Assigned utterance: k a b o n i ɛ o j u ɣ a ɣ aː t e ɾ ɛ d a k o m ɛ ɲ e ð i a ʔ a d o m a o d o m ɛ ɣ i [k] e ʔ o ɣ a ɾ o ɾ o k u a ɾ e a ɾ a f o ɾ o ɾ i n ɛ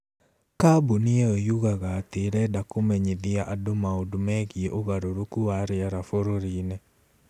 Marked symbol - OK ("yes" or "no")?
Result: no